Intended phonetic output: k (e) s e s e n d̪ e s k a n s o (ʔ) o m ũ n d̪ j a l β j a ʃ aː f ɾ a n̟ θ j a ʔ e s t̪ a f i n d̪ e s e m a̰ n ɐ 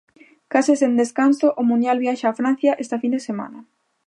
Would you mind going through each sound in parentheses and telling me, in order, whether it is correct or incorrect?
incorrect: a, correct

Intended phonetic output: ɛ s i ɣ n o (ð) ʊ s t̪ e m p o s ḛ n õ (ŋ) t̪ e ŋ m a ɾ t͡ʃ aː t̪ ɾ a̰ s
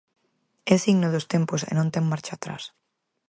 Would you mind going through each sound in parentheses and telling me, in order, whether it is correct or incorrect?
correct, incorrect: n

